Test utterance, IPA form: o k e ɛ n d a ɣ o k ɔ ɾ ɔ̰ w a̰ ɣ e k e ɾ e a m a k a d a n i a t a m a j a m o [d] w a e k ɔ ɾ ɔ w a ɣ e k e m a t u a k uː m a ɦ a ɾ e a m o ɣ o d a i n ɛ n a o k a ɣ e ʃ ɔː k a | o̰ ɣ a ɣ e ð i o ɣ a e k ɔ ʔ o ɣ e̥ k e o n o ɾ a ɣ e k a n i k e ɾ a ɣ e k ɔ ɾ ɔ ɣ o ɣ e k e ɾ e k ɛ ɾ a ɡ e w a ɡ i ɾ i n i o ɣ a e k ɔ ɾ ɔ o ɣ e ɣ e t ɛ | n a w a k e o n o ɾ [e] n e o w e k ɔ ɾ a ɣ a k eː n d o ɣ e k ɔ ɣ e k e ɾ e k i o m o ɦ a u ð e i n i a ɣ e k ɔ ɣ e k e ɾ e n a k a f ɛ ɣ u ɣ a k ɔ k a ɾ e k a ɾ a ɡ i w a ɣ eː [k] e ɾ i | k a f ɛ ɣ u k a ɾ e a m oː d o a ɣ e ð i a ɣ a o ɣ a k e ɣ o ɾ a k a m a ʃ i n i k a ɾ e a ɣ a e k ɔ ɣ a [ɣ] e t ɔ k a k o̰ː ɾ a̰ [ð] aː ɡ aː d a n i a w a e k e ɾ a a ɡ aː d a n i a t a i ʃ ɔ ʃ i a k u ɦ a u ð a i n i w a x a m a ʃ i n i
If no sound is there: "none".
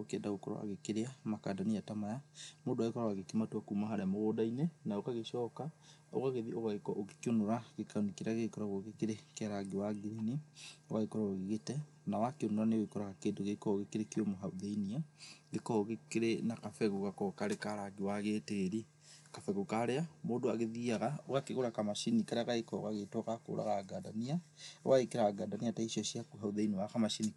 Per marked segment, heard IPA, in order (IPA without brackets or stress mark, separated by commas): d, a, t, ɣ, ɣ